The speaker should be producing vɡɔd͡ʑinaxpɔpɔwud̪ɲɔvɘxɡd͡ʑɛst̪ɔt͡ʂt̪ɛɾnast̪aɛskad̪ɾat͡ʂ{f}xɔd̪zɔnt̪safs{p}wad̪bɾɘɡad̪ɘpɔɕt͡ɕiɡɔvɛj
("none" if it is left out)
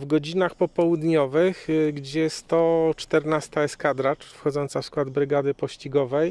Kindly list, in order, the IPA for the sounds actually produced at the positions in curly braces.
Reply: f, k

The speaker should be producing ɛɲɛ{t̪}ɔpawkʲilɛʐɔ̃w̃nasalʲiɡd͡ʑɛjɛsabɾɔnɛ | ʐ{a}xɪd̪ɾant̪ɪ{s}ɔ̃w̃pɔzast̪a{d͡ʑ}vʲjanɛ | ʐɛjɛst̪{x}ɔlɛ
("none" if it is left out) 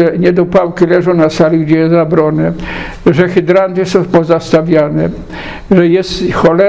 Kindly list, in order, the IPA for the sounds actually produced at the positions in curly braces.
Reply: d̪, ɛ, s, none, x

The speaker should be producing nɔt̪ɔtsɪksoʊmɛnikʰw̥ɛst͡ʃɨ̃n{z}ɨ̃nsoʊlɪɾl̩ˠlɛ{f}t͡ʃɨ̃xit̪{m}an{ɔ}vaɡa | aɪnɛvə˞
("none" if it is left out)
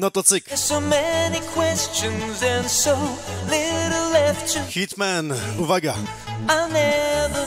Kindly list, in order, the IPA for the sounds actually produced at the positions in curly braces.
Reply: z, f, m, u

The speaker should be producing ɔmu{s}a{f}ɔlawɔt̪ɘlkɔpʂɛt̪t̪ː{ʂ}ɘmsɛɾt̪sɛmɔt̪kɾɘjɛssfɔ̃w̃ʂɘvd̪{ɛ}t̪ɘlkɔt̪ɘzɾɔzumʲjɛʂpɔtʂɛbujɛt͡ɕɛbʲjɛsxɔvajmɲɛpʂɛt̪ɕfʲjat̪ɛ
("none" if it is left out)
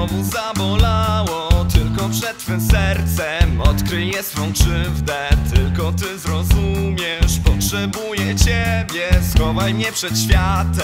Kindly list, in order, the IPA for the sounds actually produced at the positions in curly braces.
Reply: z, v, f, ɛ

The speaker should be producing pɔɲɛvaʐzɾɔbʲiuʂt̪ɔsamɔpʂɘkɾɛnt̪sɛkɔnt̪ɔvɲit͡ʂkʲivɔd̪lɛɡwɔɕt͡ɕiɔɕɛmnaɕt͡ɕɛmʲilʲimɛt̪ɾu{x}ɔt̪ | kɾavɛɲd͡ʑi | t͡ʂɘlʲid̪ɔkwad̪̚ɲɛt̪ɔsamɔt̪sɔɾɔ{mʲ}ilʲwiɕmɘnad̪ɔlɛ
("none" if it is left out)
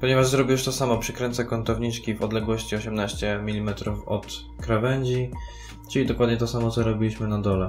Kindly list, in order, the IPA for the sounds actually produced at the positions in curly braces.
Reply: f, bʲ

